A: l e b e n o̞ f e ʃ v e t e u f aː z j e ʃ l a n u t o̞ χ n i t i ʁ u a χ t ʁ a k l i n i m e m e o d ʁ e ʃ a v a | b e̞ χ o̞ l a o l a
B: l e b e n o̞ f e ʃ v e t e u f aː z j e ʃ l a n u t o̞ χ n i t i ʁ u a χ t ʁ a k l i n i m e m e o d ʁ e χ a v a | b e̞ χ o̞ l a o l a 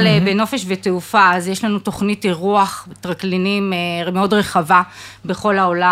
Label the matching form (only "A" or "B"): B